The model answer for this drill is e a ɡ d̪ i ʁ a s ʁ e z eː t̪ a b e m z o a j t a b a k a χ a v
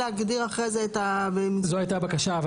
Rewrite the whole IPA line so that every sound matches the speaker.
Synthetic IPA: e a ɡ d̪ i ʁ a χ ʁ e z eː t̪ a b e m z o a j t a b a k a ʃ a v